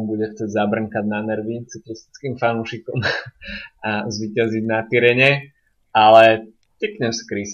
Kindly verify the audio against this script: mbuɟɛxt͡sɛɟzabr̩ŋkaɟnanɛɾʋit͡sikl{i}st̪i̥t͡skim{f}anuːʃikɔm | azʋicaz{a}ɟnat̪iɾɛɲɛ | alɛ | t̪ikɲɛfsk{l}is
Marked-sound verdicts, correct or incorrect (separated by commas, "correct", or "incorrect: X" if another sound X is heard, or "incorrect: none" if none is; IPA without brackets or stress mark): correct, correct, incorrect: i, incorrect: ɾ